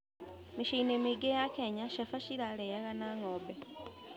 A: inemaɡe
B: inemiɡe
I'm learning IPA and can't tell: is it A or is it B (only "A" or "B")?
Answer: B